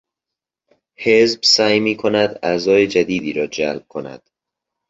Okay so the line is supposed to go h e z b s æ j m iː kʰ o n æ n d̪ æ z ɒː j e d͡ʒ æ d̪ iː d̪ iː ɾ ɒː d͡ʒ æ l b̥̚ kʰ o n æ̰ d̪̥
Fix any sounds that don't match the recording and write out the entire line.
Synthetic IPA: h e z b s æ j m iː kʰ o n æ d̪ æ z ɒː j e d͡ʒ æ d̪ iː d̪ iː ɾ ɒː d͡ʒ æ l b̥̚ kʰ o n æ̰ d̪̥